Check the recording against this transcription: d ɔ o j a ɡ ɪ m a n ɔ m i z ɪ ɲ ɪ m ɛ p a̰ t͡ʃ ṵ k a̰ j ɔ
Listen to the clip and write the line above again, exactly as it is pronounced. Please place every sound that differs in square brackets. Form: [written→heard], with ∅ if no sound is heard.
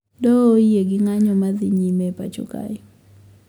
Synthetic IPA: d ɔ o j [a→e] ɡ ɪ [m→ŋ] a [n→ɲ] ɔ m [i→a] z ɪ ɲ [ɪ→i] m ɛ p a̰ t͡ʃ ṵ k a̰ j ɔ